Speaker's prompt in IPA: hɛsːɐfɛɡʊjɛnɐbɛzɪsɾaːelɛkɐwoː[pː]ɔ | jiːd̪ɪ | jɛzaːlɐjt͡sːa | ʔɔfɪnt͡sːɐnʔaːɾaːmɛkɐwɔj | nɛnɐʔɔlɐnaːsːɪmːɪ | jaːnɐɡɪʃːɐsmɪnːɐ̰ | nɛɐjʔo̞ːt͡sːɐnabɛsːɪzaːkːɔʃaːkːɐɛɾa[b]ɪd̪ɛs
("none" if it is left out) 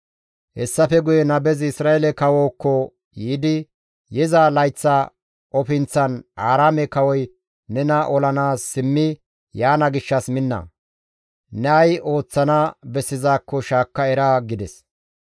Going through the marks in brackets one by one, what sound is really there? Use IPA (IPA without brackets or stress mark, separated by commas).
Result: kː, ɡ